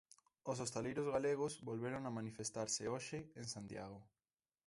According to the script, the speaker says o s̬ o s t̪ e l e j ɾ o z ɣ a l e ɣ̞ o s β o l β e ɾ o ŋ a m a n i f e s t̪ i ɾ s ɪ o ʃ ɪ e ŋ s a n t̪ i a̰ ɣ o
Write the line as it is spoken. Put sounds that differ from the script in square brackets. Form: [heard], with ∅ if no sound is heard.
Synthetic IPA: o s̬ o s t̪ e l e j ɾ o z ɣ a l e ɣ̞ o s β o l β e ɾ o ŋ a m a n i f e s t̪ [a] ɾ s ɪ o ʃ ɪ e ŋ s a n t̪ [j] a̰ ɣ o

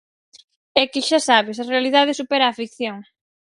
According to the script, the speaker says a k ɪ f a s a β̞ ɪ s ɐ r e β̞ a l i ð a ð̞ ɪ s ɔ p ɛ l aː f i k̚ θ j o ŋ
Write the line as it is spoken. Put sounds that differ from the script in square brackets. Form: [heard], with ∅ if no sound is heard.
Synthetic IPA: [ɛ] k ɪ [ʃ] a s a β̞ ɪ s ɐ r e [∅] a l i ð a ð̞ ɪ s [u] p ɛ [ɾ] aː f i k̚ θ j o ŋ

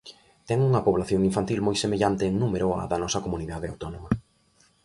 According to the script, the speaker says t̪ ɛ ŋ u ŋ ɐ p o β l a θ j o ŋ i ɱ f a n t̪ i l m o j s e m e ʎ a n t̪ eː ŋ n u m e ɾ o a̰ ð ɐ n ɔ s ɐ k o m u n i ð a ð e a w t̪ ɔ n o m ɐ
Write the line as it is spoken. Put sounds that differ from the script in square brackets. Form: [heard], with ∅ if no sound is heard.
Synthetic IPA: t̪ ɛ ŋ u ŋ ɐ p o β l a θ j o ŋ i ɱ f a n t̪ i l m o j s e m e ʎ a n t̪ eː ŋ n u m e ɾ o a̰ ð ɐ n ɔ s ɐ k o m u n i ð a ð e a w t̪ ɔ n o m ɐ

